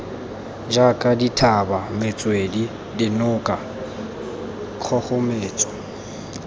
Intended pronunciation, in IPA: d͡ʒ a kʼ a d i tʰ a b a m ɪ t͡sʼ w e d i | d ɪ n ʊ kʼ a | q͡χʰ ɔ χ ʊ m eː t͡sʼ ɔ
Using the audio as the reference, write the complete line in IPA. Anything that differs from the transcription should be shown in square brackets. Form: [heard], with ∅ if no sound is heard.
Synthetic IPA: d͡ʒ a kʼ a d i tʰ a b a m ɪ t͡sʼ w e d i | d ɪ n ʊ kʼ a | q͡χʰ ɔ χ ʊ m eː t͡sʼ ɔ